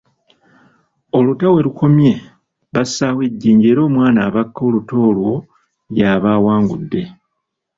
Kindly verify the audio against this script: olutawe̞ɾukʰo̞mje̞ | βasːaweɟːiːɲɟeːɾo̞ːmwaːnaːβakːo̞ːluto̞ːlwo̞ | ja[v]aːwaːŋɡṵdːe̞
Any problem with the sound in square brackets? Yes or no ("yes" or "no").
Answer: yes